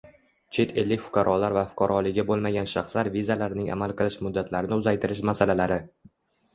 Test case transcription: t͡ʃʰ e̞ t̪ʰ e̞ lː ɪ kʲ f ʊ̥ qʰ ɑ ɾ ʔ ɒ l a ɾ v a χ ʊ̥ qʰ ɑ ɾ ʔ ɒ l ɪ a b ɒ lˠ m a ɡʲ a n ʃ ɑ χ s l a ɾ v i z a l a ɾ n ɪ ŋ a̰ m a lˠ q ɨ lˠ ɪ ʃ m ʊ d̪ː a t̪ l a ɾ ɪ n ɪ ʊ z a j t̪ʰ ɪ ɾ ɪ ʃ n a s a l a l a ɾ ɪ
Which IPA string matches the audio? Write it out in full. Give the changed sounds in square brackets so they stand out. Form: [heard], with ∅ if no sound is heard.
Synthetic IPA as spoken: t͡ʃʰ e̞ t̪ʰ e̞ lː ɪ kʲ f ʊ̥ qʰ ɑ ɾ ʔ ɒ l a ɾ v a [f] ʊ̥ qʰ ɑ ɾ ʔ ɒ l ɪ a b [o] lˠ m a ɡʲ a n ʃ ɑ χ s l a ɾ v i z a l a ɾ n ɪ ŋ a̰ m a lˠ q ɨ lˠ ɪ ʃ m ʊ d̪ː a t̪ l a ɾ ɪ n ɪ ʊ z a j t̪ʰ ɪ ɾ ɪ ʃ [m] a s a l a l a ɾ ɪ